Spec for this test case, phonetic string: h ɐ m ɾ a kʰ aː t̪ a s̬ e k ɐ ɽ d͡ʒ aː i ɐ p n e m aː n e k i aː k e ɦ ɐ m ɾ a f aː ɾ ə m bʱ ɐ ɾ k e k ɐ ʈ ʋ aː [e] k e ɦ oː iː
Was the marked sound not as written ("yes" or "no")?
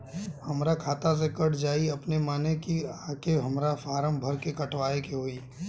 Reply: no